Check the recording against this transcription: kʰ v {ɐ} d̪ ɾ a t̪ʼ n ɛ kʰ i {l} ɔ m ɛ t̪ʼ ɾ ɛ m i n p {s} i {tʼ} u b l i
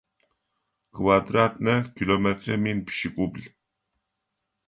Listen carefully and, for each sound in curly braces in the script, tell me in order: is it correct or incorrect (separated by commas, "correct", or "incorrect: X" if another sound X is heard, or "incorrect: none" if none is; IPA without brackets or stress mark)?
incorrect: a, correct, incorrect: ʃ, incorrect: kʼ